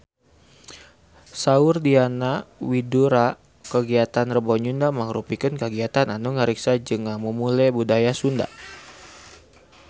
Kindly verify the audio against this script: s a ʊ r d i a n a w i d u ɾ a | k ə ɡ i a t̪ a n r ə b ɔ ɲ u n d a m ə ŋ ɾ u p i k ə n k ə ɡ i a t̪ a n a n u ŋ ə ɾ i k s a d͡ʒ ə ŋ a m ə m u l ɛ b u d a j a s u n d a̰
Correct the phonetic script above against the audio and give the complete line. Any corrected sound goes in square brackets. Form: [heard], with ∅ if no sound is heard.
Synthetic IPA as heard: s a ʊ r d i a n a w i d u ɾ a | k ə ɡ i a t̪ a n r ə b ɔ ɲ u n d a m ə ŋ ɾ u p i k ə n k ə ɡ i a t̪ a n a n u ŋ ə ɾ i k s a d͡ʒ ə ŋ a m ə m u l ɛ b u d a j a s u n d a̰